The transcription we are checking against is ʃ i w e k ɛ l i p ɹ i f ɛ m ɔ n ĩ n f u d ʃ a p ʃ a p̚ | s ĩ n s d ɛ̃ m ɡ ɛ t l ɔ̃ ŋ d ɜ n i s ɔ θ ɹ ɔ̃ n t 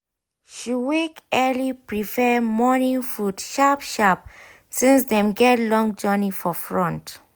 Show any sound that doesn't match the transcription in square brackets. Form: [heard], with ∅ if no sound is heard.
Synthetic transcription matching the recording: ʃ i w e k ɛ l i p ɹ i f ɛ m ɔ n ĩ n f u d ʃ a p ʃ a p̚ | s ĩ n s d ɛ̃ m ɡ ɛ t l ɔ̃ ŋ [d͡ʒ] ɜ n i [f] ɔ [f] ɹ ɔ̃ n t